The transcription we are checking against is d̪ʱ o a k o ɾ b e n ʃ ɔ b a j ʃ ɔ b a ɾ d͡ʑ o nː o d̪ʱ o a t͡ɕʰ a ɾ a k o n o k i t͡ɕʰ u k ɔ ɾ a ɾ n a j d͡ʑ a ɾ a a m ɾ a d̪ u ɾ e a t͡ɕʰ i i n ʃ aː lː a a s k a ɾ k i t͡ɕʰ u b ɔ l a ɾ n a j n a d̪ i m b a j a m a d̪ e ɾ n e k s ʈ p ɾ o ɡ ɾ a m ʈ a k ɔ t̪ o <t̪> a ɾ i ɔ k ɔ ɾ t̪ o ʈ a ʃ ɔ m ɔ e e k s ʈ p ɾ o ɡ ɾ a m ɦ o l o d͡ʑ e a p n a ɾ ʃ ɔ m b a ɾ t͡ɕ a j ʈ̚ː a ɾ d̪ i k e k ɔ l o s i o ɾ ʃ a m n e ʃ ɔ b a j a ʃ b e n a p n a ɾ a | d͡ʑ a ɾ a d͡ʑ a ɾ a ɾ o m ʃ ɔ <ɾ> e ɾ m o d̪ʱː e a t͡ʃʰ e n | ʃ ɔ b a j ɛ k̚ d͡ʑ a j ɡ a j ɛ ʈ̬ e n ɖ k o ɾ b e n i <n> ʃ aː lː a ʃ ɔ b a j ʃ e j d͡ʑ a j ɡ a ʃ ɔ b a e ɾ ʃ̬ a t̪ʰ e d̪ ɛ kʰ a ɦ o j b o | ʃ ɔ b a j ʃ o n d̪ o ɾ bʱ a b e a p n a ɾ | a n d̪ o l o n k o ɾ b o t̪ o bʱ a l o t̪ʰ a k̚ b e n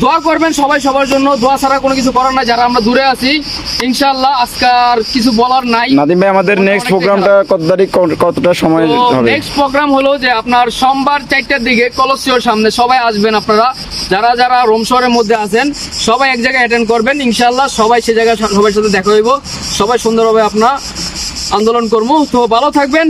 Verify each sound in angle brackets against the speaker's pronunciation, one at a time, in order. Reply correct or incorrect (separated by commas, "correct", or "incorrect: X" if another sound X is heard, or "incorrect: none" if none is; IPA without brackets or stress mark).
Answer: incorrect: d̪, correct, correct